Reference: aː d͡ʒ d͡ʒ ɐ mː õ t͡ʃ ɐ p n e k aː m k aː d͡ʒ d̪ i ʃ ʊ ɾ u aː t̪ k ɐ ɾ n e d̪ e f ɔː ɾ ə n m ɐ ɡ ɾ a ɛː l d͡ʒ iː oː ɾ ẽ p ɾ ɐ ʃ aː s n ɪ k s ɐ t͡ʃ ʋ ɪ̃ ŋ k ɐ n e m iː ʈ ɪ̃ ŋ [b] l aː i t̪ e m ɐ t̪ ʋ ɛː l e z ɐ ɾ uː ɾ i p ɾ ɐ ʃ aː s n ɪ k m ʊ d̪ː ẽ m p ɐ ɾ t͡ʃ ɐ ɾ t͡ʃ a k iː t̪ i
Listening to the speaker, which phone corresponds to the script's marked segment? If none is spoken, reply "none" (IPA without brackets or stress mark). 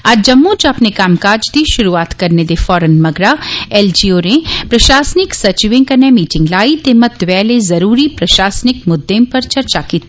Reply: ɡ